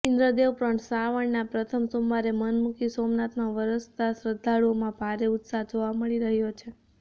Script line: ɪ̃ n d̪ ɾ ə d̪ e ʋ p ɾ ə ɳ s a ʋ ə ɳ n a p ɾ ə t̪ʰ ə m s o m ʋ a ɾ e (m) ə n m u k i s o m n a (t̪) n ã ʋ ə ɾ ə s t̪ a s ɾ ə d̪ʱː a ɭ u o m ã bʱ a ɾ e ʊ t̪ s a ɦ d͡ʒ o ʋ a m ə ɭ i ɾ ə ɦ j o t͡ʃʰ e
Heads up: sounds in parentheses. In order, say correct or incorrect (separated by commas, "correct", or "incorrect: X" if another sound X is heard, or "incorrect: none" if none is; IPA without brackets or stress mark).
correct, correct